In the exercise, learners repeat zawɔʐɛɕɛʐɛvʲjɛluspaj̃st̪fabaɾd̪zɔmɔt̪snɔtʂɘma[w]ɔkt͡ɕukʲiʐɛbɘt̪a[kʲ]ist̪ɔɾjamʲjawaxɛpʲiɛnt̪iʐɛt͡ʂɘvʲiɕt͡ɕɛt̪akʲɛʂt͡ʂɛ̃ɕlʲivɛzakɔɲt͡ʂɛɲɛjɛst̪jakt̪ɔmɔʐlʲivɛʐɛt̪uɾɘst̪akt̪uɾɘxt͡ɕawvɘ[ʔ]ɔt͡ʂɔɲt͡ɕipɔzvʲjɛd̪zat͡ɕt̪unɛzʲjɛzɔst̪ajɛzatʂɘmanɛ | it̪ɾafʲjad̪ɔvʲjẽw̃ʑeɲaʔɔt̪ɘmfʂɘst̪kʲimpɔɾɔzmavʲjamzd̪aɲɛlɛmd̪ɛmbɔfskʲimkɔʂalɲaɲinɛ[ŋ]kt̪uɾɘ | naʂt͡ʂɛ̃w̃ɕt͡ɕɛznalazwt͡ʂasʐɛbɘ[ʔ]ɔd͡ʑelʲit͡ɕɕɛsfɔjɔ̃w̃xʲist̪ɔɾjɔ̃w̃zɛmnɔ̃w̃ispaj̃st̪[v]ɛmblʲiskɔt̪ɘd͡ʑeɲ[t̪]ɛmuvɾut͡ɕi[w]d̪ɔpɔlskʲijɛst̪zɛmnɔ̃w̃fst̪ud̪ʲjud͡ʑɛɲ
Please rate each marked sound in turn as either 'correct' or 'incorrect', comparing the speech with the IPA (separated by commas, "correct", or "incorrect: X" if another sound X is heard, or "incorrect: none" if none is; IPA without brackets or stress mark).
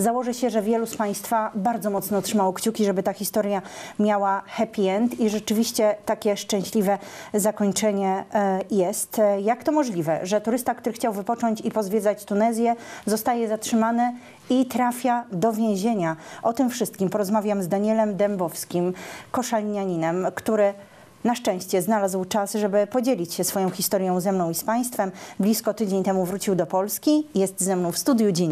correct, incorrect: xʲ, incorrect: p, incorrect: m, incorrect: p, incorrect: f, correct, correct